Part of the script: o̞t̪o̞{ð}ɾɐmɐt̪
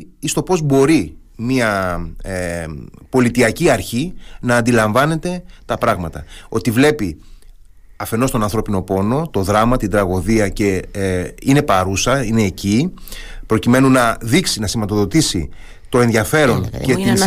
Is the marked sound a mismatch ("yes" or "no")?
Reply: no